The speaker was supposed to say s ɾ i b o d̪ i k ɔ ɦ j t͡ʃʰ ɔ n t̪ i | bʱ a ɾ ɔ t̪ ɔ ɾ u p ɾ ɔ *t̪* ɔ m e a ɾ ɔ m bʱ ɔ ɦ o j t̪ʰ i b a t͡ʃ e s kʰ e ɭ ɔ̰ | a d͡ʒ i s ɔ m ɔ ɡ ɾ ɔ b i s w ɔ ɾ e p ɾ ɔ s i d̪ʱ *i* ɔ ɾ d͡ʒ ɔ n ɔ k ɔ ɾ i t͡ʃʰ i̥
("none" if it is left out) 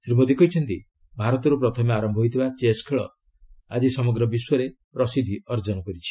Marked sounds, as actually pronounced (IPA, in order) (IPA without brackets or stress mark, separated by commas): t̪ʰ, i